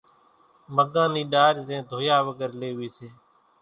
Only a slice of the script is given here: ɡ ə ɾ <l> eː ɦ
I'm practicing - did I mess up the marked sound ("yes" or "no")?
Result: no